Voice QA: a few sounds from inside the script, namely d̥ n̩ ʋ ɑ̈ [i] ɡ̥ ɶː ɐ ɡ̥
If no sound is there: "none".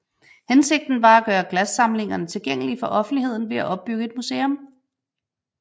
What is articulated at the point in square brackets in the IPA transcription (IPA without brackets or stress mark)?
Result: æ